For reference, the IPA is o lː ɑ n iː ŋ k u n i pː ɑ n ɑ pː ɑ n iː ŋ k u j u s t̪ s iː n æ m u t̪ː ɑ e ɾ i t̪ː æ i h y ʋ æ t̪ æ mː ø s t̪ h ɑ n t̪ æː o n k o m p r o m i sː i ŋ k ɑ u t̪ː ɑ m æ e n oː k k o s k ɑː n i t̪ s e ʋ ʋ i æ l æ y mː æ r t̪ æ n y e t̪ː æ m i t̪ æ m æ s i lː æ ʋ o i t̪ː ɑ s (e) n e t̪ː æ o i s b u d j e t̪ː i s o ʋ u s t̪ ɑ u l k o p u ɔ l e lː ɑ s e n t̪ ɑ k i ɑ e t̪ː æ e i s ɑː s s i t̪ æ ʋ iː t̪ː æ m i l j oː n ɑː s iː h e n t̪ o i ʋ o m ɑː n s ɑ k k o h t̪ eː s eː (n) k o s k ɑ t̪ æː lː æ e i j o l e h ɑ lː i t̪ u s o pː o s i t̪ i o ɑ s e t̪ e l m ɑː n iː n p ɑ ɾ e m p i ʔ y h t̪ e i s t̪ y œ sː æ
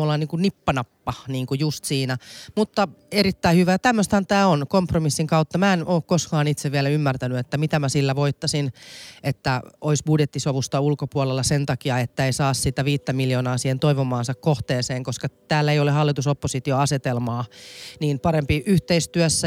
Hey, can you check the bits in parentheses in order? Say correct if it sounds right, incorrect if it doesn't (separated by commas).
incorrect, incorrect